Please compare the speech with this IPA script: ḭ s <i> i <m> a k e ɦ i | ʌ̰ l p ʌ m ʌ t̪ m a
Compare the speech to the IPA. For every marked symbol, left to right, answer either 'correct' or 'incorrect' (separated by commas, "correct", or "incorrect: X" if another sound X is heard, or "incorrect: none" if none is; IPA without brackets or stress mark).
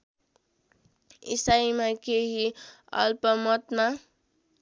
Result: incorrect: a, correct